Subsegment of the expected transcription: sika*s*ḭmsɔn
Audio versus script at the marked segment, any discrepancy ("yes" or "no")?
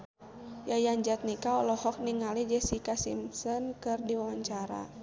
no